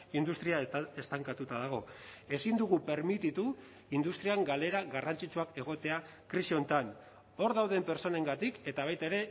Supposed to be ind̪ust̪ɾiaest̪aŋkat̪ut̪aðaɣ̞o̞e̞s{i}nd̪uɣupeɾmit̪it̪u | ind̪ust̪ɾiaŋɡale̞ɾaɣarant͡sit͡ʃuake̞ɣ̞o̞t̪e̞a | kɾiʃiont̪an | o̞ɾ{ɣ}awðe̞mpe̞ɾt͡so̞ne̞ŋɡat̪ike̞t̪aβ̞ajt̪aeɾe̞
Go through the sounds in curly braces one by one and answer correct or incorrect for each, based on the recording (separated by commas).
correct, incorrect